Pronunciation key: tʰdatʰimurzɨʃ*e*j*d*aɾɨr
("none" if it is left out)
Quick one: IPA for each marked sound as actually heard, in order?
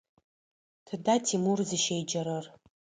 e, d͡ʒ

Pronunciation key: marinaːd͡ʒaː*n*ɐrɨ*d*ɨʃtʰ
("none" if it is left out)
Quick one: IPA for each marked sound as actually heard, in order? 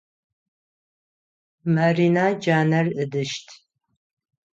n, d

